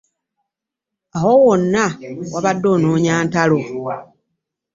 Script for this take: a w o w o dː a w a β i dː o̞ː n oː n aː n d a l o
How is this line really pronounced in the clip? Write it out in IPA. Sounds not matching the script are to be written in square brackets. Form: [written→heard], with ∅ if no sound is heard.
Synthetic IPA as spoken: a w o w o [dː→nː] a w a β [i→a] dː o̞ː n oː [n→ɲ] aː n [d→t] a l o